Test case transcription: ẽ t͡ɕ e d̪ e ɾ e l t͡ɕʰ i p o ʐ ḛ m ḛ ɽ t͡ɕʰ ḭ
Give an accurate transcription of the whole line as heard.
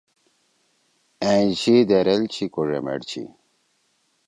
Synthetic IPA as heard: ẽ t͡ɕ i d̪ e ɾ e l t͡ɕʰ i k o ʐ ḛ m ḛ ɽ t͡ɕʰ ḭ